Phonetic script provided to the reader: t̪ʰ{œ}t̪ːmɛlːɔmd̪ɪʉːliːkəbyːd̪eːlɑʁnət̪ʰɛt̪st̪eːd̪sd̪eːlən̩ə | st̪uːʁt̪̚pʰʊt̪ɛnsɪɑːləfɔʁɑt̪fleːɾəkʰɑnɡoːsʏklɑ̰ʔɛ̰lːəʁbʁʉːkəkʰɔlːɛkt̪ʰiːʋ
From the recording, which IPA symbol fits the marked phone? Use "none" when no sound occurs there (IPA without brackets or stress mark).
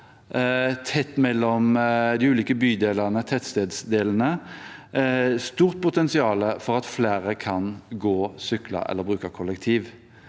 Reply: ɛ